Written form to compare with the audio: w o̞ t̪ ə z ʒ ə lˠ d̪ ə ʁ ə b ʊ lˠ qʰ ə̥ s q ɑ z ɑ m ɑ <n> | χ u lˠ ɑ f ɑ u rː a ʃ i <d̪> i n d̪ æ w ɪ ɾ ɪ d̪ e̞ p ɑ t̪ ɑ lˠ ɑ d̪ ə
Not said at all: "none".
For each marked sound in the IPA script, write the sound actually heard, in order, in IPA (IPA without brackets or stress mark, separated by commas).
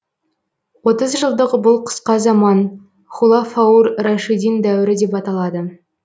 n, d̪